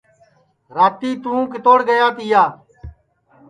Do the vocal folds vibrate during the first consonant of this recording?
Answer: yes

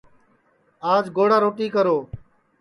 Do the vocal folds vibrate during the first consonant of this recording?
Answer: yes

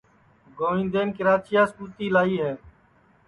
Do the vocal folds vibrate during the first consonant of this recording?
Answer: yes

